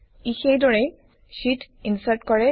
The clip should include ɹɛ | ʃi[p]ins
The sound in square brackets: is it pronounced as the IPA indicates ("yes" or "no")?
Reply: no